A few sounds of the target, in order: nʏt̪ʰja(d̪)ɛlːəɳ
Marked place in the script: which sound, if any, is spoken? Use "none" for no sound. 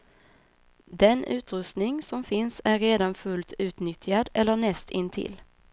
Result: d̪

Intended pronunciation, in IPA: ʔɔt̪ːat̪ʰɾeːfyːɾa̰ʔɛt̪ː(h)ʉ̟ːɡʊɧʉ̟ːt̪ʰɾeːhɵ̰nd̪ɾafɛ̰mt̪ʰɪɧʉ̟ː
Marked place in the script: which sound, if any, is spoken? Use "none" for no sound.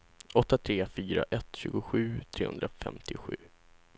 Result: ɕ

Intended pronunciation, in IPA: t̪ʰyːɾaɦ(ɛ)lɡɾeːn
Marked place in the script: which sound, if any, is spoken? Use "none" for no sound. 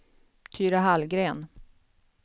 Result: a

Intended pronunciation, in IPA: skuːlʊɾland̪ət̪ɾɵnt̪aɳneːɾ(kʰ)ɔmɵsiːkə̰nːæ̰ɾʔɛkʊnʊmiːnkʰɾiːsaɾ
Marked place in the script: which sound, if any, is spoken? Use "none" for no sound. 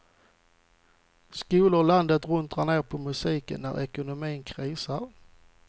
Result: pʰ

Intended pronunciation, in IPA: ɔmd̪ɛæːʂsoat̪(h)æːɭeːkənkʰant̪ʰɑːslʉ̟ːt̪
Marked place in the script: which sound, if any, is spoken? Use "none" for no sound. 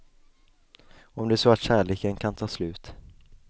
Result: ɕ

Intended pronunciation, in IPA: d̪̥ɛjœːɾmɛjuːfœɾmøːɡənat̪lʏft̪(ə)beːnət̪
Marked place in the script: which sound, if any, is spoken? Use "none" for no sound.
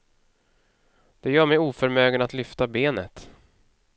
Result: a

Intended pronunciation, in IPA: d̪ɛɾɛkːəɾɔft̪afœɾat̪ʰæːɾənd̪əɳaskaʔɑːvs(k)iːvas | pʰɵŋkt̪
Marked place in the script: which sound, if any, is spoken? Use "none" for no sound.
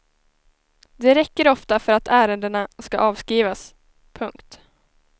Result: k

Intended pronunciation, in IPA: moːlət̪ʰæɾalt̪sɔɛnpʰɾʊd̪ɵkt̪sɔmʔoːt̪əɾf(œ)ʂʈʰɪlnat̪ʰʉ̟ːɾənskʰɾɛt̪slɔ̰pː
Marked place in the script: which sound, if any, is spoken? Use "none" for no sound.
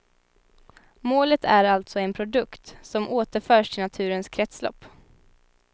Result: œː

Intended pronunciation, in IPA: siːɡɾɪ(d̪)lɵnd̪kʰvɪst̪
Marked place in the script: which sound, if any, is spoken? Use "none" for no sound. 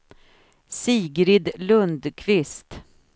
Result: d̪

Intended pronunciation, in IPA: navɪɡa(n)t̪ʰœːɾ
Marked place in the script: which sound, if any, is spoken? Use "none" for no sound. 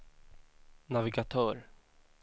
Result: none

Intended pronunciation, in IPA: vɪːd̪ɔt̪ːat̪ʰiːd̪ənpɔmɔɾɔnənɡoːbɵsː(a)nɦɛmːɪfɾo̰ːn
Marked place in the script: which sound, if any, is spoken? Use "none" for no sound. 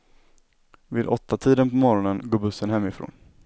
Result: ə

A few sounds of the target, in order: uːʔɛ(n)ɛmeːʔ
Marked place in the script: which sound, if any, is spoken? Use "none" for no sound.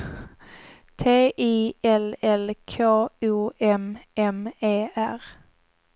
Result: m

